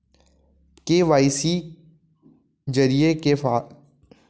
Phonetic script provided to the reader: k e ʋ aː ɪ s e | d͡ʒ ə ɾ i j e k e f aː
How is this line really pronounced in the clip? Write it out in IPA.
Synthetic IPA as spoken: k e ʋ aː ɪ s i | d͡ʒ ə ɾ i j e k e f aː